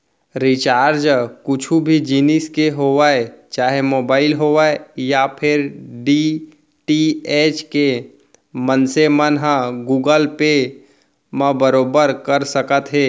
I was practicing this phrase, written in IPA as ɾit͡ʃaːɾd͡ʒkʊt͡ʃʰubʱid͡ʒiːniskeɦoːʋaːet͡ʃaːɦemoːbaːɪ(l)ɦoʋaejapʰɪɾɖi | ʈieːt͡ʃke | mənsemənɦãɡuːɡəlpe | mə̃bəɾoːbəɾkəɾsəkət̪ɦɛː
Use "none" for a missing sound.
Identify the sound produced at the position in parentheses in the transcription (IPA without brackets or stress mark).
l